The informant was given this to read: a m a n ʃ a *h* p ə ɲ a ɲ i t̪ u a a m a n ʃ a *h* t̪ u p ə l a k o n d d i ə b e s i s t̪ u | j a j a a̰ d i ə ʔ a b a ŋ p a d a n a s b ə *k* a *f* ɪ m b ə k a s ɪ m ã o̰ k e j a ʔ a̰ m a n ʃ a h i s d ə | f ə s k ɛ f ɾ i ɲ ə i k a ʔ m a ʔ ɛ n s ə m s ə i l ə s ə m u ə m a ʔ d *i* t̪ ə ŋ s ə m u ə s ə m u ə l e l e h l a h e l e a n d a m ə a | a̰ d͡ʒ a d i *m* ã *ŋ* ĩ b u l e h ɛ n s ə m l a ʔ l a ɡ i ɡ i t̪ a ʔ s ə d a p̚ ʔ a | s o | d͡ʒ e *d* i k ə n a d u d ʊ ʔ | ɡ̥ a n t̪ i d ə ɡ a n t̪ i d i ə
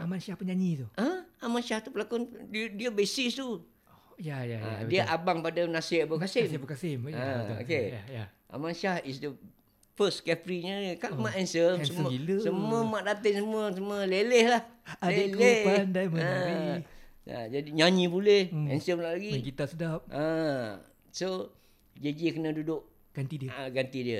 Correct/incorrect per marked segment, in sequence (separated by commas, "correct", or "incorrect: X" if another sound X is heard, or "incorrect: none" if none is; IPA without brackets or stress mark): correct, correct, correct, incorrect: s, incorrect: a, incorrect: ɲ, incorrect: ɲ, incorrect: d͡ʒ